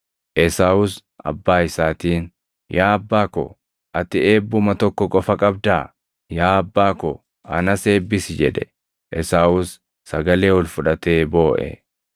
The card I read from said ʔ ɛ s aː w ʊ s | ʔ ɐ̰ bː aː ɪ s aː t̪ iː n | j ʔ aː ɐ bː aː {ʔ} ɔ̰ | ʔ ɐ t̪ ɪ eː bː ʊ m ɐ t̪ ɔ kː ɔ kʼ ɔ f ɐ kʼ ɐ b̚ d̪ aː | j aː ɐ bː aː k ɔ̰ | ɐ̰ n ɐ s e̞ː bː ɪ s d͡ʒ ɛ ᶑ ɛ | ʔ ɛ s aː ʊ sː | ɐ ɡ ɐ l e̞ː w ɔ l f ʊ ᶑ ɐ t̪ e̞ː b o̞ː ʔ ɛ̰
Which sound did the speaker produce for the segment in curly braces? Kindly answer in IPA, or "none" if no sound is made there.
k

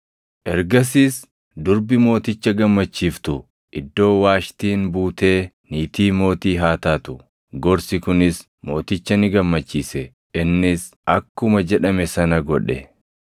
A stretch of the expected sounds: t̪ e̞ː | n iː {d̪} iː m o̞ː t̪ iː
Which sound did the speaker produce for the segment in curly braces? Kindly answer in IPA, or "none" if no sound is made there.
t̪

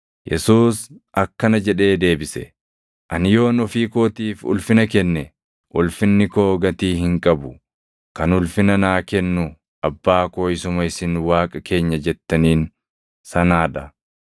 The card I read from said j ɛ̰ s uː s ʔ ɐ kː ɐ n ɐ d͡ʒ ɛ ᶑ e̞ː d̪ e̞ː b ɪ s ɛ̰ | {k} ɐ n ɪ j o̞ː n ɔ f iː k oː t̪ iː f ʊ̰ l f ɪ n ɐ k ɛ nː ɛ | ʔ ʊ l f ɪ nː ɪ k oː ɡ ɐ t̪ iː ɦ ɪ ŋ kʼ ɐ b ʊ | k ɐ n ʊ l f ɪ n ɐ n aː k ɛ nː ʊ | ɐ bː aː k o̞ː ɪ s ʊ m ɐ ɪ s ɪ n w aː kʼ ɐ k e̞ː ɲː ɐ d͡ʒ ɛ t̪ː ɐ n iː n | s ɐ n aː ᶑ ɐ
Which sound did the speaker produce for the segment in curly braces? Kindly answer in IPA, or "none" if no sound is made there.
ʔ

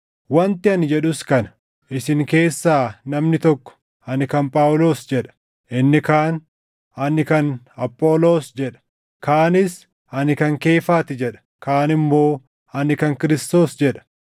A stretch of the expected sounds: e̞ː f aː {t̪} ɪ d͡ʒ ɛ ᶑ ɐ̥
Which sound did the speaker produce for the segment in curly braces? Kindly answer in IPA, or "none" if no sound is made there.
t̪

